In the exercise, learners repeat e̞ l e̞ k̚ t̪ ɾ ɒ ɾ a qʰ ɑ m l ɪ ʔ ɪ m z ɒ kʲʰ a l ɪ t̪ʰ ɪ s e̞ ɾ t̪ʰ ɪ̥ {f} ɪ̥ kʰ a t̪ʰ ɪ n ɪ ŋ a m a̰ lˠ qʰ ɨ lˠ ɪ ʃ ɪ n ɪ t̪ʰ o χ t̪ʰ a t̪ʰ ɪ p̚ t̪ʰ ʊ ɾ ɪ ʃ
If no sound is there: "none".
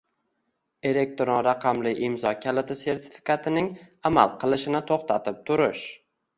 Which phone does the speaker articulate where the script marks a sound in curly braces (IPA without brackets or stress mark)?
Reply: f